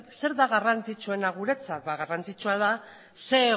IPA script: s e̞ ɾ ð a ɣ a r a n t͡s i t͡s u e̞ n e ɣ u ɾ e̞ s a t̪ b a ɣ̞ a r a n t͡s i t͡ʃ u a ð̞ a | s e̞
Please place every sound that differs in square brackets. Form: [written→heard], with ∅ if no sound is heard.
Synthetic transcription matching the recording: s e̞ ɾ ð a ɣ a r a n t͡s i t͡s u e̞ n [e→a] ɣ u ɾ e̞ [s→t͡s] a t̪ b a ɣ̞ a r a n t͡s i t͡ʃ u a ð̞ a | s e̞